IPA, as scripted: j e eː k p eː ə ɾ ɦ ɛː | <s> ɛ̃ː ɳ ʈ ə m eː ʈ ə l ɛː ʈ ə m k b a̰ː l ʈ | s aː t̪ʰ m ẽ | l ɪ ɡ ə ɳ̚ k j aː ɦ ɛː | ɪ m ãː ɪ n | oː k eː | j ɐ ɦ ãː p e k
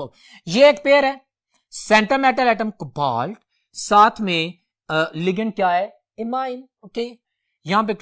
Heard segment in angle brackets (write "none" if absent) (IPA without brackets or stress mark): s